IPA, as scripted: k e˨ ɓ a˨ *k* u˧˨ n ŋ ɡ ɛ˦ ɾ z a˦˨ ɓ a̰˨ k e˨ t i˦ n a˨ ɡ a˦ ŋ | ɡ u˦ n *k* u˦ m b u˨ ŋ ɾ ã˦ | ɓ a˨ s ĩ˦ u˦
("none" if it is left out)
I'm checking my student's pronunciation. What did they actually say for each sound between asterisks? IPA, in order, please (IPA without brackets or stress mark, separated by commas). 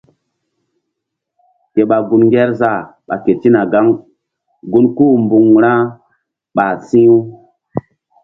ɡ, k